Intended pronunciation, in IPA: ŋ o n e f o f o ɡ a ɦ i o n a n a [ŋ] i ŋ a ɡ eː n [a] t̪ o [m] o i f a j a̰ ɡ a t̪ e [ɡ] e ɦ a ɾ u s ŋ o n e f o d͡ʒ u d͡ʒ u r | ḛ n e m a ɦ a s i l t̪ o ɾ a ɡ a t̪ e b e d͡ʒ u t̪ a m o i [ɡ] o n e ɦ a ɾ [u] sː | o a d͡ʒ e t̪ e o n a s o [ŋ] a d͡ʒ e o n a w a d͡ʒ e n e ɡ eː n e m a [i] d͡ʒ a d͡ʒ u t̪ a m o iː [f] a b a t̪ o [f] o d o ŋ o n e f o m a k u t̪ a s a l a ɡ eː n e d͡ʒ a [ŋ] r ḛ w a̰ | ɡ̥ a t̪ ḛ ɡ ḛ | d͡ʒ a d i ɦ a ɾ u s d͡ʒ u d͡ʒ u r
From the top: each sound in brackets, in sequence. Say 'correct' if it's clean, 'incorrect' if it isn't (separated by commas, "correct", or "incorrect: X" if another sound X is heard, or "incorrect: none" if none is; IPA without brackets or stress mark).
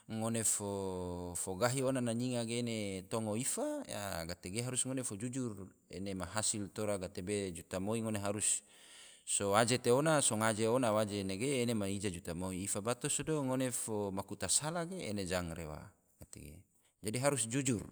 incorrect: ɲ, incorrect: e, incorrect: ŋ, correct, incorrect: ŋ, correct, correct, correct, correct, incorrect: s, correct